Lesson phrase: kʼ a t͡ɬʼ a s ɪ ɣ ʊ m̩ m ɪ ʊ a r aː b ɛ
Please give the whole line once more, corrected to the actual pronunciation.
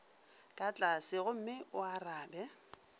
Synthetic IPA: kʼ a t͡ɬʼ a s ɪ ɣ ʊ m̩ m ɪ ʊ a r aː b ɛ

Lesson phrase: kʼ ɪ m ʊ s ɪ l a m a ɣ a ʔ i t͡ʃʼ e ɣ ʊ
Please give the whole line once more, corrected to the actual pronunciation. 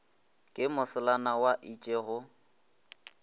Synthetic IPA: kʼ ɪ m ʊ s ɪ l a n a w a ʔ i t͡ʃʼ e ɣ ʊ

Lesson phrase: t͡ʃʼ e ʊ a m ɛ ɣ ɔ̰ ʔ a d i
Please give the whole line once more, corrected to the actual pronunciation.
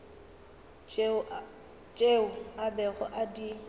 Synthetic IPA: t͡ʃʼ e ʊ a b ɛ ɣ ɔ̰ ʔ a d i

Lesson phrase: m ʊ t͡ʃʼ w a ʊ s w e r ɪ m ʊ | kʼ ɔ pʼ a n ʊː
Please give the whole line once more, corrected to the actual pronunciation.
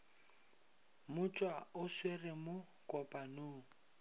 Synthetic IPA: m ʊ t͡ʃʼ w a ʊ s w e r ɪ m ʊ | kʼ ɔ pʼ a n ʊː

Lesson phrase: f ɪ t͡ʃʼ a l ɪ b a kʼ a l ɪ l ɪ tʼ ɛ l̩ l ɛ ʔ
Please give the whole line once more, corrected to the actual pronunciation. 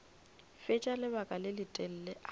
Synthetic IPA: f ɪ t͡ʃʼ a l ɪ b a kʼ a l ɪ l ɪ tʼ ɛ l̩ l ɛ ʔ

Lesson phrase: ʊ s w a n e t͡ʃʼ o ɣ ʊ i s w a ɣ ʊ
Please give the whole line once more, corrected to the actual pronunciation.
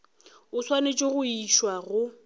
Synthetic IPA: ʊ s w a n e t͡ʃʼ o ɣ ʊ i ʃ w a ɣ ʊ

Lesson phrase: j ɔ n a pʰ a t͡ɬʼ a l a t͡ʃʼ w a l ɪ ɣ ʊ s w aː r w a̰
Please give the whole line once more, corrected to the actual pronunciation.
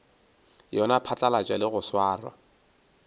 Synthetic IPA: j ɔ n a pʰ a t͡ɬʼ a l a t͡ʃʼ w a l ɪ ɣ ʊ s w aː r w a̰

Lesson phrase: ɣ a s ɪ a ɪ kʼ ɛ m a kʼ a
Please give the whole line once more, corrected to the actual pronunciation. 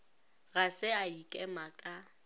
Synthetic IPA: ɣ a s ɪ a i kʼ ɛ m a kʼ a

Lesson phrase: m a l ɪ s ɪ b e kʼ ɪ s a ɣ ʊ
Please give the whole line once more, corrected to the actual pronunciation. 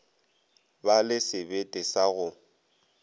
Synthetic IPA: b a l ɪ s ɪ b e tʼ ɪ s a ɣ ʊ

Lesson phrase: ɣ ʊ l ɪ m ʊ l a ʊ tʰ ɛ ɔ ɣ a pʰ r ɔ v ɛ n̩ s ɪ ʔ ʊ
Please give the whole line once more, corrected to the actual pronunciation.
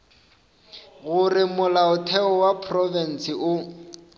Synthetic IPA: ɣ ʊ r ɪ m ʊ l a ʊ tʰ ɛ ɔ w a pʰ r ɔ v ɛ n̩ s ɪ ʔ ʊ

